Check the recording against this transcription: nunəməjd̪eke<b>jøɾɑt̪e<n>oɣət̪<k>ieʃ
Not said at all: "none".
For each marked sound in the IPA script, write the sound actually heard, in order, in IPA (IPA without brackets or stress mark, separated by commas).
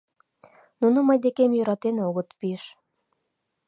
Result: m, n, p